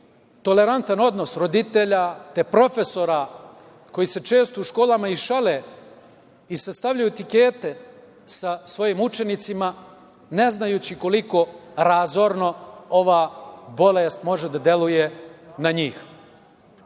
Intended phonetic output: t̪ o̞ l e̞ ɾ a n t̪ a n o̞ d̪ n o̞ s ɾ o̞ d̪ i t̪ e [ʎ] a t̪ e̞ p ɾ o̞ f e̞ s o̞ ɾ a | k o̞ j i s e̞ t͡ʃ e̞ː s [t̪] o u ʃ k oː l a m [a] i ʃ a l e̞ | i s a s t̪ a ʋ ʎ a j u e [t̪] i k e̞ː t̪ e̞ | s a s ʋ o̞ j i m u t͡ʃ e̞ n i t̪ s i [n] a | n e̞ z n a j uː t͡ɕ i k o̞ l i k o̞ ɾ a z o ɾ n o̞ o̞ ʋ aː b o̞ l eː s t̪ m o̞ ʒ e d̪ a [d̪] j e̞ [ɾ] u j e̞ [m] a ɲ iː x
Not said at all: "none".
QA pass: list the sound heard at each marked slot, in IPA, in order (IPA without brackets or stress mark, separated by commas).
ʎ, t̪, a, t̪, m, d̪, l, n